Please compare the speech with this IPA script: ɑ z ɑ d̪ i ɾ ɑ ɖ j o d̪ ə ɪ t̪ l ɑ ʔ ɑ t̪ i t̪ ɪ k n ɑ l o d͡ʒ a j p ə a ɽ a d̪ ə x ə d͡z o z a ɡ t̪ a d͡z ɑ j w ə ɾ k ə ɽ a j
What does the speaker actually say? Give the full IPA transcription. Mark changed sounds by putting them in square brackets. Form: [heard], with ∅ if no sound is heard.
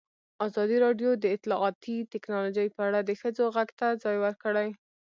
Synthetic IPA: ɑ z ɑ d̪ i ɾ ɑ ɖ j o d̪ ə ɪ t̪ l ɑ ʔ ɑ t̪ i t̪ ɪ k n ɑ l o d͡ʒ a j p ə a ɽ a d̪ ə x ə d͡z o [ɣ] a ɡ t̪ a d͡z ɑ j w ə ɾ k ə ɽ a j